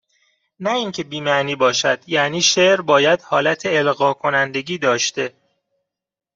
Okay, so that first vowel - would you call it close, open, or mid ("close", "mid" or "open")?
open